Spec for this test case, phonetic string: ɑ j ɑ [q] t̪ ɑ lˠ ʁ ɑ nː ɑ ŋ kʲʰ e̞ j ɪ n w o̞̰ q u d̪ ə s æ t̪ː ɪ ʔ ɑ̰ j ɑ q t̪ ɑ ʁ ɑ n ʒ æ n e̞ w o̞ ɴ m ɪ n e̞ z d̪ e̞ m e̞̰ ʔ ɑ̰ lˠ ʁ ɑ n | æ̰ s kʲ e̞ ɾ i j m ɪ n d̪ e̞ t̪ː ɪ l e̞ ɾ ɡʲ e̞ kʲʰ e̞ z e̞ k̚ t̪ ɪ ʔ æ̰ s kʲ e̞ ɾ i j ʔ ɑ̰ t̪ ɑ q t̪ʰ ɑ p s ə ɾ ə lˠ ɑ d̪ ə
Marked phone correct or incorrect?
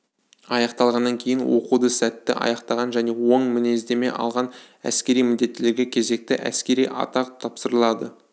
correct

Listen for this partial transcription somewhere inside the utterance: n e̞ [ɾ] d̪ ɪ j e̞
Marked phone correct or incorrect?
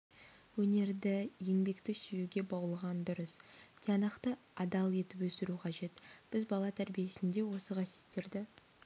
correct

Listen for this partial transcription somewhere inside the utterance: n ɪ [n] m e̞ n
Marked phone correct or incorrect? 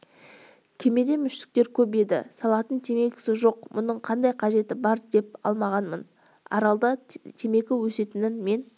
correct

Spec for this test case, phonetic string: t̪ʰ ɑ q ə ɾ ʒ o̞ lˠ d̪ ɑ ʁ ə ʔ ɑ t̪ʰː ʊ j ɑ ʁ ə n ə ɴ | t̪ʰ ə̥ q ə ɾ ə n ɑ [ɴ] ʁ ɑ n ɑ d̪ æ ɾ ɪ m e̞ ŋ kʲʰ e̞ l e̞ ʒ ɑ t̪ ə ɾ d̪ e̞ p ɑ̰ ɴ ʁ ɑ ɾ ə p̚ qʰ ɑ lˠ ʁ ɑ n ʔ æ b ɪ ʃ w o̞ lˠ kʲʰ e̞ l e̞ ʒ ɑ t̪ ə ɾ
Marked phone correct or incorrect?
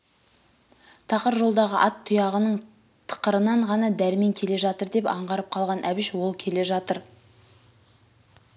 correct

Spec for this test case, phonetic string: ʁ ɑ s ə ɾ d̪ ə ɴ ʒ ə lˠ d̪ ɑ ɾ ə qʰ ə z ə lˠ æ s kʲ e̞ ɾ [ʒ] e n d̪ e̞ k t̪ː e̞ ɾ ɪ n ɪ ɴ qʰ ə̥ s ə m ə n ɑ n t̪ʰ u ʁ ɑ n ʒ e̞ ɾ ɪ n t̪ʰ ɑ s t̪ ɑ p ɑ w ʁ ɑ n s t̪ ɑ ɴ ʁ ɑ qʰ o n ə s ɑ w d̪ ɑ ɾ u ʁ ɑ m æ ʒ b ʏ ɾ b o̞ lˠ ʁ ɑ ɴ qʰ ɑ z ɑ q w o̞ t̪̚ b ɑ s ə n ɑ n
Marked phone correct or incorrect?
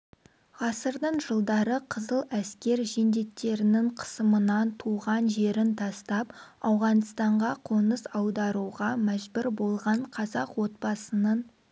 correct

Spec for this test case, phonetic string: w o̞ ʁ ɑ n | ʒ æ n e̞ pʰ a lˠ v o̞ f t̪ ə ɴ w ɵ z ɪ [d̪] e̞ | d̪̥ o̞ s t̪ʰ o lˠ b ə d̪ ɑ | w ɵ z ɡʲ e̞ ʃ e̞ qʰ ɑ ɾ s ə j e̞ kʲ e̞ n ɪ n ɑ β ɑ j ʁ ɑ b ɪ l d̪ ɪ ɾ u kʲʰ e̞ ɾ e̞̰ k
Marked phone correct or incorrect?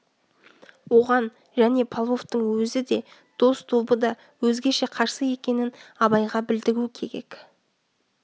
correct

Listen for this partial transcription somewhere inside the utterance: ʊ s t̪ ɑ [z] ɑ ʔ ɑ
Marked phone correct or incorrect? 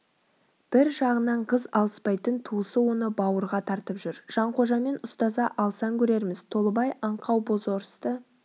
correct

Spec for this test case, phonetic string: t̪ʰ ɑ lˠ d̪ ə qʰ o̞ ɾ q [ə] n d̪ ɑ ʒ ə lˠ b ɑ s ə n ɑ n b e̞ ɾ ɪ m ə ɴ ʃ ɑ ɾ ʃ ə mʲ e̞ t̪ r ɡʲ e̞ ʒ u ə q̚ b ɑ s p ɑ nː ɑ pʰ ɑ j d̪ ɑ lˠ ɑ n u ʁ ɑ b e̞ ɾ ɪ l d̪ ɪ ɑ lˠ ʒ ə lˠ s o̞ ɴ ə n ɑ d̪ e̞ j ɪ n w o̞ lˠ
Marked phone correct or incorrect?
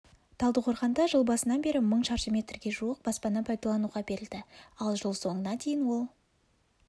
incorrect: ɑ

